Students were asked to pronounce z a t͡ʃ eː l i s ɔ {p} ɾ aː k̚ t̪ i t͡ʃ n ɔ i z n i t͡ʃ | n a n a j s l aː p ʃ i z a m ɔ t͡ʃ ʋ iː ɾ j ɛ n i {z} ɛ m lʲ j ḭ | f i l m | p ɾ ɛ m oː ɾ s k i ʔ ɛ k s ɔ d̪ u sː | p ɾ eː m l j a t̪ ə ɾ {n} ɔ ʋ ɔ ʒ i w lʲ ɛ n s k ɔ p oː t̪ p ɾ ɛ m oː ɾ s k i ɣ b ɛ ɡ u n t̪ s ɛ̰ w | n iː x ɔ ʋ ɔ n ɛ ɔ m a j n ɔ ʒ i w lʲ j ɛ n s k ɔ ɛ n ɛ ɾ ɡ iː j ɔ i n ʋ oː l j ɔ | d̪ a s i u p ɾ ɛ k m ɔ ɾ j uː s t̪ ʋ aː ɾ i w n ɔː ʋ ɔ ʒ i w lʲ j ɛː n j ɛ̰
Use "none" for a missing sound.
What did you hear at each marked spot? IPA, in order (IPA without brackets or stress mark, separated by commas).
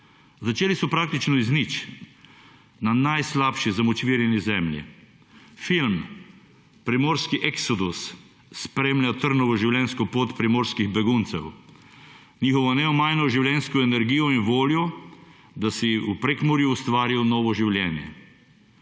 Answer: p, z, n